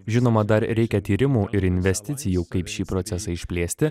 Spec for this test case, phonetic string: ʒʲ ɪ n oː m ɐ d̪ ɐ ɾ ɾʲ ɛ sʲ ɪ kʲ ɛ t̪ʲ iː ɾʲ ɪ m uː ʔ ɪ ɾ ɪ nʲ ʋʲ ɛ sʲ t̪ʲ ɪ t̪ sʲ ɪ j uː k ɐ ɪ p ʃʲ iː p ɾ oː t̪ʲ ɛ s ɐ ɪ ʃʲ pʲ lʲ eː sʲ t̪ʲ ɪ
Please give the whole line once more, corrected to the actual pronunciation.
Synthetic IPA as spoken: ʒʲ ɪ n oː m ɐ d̪ ɐ ɾ ɾʲ ɛ ɪ kʲ ɛ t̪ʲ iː ɾʲ ɪ m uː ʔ ɪ ɾ ɪ nʲ ʋʲ ɛ sʲ t̪ʲ ɪ t̪ sʲ ɪ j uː k ɐ ɪ p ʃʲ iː p ɾ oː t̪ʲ ɛ s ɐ ɪ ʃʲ pʲ lʲ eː sʲ t̪ʲ ɪ